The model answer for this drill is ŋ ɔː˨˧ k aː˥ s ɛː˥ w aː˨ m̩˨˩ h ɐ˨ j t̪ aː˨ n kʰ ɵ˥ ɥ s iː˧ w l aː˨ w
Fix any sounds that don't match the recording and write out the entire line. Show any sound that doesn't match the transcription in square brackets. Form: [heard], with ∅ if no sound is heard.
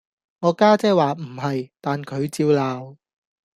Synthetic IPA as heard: ŋ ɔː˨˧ k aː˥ [t͡s] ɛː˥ w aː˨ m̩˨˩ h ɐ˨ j t̪ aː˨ n kʰ [ɵ˨˧] ɥ [t͡s] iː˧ w l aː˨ w